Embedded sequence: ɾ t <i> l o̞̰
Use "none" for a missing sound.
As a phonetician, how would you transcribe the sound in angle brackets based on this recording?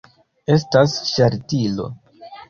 i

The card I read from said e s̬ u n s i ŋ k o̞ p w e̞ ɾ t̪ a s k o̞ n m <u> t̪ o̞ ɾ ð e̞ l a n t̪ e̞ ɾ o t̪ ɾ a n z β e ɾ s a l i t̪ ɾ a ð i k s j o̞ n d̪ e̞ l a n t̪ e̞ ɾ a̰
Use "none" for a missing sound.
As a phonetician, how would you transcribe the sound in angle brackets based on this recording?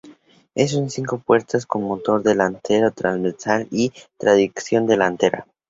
o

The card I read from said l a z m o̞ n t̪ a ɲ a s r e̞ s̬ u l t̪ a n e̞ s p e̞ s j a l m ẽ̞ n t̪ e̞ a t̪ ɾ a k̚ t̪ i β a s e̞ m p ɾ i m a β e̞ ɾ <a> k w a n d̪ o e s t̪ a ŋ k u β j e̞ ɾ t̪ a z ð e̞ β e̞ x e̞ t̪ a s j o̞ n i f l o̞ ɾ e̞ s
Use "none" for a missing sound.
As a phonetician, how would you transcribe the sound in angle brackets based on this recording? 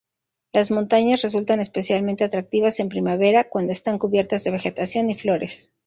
a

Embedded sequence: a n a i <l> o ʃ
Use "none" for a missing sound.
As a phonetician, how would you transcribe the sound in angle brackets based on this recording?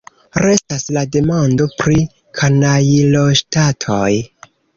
l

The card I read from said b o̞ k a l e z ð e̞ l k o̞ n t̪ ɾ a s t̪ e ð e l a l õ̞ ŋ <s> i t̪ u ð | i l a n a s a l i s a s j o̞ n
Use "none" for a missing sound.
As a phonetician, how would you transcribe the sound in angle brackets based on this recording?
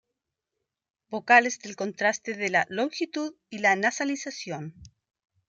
x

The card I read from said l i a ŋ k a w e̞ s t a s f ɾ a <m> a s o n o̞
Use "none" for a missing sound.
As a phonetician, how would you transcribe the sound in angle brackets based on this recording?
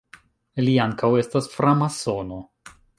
m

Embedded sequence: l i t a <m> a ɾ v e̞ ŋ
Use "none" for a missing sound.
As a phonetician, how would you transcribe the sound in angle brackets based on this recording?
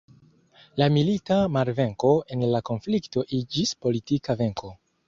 m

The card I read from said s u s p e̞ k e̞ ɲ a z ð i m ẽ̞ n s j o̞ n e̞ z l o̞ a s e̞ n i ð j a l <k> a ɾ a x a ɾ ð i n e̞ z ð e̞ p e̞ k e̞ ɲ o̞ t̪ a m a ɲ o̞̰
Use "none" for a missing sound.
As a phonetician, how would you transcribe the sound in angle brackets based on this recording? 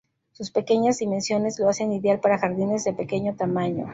p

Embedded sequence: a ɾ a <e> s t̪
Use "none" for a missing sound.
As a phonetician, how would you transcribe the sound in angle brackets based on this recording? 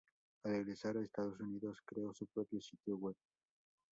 e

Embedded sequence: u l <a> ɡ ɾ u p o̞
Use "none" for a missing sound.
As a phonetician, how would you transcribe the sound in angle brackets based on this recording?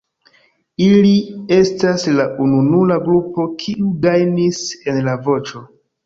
a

